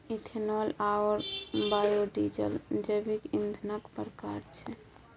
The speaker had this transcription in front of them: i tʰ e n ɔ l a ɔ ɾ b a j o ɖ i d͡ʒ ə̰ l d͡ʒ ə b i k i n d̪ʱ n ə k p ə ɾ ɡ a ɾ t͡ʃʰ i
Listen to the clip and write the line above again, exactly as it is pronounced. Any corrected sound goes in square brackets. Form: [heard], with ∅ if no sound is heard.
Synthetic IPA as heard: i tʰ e n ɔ l a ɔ ɾ b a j o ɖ i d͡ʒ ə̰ l d͡ʒ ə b i k i n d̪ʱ n ə k p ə ɾ [k] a ɾ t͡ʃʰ [ɛ]